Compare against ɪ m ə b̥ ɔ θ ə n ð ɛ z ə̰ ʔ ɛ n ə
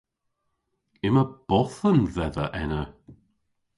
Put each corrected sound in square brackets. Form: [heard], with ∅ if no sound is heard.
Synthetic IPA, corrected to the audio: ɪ m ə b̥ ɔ θ ə n ð ɛ [ð] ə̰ ʔ ɛ n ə

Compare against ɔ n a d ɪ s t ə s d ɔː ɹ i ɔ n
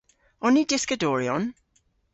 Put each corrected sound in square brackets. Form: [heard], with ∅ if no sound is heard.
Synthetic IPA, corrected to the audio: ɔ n [i] d ɪ s [k] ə [∅] d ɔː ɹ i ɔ n

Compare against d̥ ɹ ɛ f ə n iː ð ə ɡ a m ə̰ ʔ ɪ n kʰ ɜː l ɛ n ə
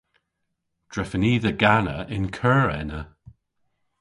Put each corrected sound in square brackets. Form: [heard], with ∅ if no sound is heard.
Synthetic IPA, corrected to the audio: d̥ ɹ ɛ f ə n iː ð ə ɡ a [n] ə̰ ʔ ɪ n kʰ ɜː [ɹ] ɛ n ə

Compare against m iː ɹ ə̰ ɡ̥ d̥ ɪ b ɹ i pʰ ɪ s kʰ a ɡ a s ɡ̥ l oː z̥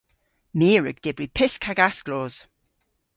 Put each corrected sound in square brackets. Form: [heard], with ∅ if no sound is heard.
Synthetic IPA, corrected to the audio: m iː ɹ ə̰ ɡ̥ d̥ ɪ b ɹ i pʰ ɪ s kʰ a ɡ a s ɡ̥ l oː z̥

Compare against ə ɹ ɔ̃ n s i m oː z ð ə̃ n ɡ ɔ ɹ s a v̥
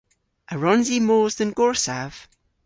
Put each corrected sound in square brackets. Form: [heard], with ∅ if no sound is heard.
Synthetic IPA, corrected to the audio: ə ɹ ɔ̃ n [z] i m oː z ð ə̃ n ɡ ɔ ɹ s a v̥

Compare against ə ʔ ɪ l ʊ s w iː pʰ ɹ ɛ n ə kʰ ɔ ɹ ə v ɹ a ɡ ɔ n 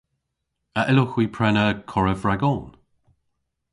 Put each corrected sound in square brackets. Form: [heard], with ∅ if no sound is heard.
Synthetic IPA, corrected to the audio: ə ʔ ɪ l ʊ [x] w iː pʰ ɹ ɛ n ə kʰ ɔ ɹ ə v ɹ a ɡ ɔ n

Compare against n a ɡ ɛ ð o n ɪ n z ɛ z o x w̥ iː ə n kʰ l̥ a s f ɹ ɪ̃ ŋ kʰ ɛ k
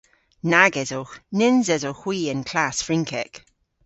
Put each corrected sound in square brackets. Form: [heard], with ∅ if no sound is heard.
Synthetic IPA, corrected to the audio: n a ɡ ɛ [z] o n ɪ n z ɛ z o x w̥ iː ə n kʰ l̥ a s f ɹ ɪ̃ ŋ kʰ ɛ k

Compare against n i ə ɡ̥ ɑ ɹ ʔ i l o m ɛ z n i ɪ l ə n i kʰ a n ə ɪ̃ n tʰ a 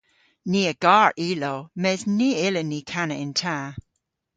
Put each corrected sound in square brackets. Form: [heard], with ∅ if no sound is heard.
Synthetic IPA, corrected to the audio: n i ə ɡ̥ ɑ ɹ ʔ i l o m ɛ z n i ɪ l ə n i kʰ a n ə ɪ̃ n tʰ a

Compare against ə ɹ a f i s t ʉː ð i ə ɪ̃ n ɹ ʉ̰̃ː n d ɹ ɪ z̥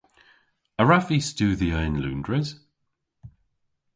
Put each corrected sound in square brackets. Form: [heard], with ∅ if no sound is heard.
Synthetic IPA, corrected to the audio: ə ɹ a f i s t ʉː ð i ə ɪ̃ n [l] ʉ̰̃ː n d ɹ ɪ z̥

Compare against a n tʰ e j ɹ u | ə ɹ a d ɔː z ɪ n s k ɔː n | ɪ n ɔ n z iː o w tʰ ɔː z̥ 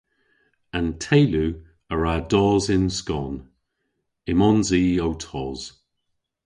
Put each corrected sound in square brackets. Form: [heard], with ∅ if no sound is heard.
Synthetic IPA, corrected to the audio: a n tʰ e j [l] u | ə ɹ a d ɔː z ɪ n s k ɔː n | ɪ [m] ɔ n z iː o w tʰ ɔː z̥

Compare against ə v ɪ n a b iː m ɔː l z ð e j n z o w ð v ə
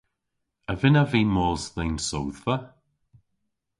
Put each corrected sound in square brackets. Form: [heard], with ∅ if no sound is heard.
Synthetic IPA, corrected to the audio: ə v ɪ n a [v] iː m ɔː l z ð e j n [s] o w ð v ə

